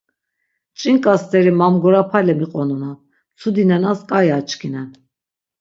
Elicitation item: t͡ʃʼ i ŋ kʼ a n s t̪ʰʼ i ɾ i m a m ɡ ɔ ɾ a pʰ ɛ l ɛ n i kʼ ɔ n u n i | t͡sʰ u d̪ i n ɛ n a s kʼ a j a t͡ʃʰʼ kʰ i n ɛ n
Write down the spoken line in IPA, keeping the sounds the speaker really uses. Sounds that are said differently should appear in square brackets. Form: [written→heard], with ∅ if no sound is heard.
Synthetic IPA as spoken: t͡ʃʼ i ŋ kʼ a [n→∅] s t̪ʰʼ [i→ɛ] ɾ i m a m ɡ ɔ ɾ a pʰ [ɛ→a] l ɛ [n→m] i [kʼ→qʼ] ɔ n u n [i→a] | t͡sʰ u d̪ i n ɛ n a s kʼ a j a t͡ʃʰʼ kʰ i n ɛ n